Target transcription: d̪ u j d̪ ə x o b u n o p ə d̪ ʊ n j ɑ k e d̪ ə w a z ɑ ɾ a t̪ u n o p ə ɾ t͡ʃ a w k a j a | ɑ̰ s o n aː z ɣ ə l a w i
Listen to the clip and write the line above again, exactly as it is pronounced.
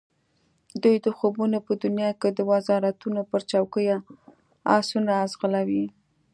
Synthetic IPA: d̪ u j d̪ ə x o b u n o p ə d̪ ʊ n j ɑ k e d̪ ə w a z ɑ ɾ a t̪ u n o p ə ɾ t͡ʃ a w k ə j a | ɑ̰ s u n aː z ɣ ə l a w i